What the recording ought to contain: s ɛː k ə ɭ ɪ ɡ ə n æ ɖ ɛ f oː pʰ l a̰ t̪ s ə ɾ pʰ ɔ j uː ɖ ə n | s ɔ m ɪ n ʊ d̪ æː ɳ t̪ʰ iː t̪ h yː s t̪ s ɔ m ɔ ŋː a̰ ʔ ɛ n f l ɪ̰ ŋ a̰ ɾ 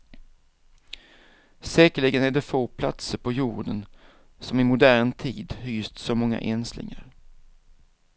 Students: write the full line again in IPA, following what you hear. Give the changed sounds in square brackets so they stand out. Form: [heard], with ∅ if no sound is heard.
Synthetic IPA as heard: s ɛː k ə ɭ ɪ ɡ ə n æ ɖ ɛ f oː pʰ l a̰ t̪ s ə ɾ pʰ ɔ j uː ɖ ə n | s ɔ m ɪ [m] ʊ d̪ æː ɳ t̪ʰ iː [d̪] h yː s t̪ s ɔ m ɔ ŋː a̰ ʔ ɛ n [s] l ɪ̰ ŋ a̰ ɾ